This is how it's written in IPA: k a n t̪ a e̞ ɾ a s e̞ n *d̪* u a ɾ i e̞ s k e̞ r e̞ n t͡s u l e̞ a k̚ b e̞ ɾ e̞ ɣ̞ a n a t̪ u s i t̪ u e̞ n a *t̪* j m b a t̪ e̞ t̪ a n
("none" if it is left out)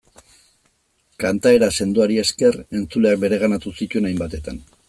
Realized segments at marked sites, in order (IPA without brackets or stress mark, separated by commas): d̪, none